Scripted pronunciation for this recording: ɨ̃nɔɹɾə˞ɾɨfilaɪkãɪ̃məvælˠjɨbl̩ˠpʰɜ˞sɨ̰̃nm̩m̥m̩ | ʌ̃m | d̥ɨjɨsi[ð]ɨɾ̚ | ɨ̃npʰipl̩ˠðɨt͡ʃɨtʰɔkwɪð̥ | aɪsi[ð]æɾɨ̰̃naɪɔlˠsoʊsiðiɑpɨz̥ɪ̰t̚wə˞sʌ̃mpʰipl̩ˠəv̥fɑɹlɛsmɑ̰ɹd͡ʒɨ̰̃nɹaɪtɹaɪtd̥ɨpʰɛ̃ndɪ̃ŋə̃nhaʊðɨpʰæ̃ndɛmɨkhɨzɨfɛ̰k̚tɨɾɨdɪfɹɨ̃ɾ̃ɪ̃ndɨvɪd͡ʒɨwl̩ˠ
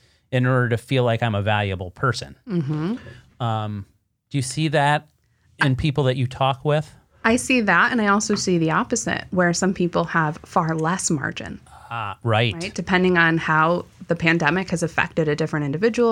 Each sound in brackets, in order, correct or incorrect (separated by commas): correct, correct